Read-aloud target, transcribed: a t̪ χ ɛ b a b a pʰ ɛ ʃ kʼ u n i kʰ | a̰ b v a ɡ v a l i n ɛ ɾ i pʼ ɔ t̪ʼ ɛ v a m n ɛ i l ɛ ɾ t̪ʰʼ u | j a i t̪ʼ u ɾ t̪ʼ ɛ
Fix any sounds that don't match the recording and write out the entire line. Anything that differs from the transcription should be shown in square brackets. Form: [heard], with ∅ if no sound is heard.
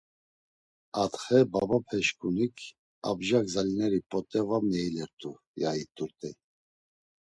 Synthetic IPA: a t̪ χ ɛ b a b a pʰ ɛ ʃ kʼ u n i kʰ | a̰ b [ʒ] a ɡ [z] a l i n ɛ ɾ i pʼ ɔ t̪ʼ ɛ v a m n ɛ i l ɛ ɾ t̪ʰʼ u | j a i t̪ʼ u ɾ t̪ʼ ɛ